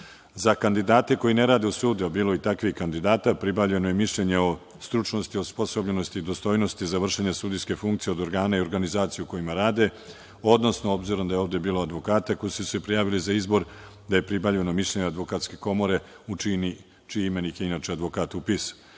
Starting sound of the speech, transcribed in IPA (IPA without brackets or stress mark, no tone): z